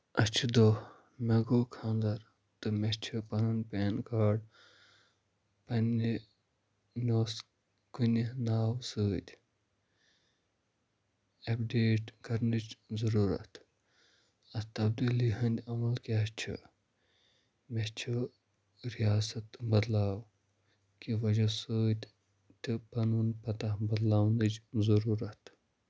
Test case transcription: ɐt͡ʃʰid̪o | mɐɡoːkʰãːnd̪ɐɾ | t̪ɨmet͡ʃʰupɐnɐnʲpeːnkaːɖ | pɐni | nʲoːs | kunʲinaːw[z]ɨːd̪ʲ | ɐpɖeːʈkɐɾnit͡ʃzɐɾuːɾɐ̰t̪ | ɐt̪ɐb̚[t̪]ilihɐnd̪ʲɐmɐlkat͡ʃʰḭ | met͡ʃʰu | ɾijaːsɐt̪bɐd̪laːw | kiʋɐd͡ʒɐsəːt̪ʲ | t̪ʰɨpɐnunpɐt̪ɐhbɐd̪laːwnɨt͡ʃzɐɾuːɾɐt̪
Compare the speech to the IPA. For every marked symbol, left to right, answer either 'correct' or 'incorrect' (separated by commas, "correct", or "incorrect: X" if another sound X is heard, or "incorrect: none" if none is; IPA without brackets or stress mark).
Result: incorrect: s, incorrect: d̪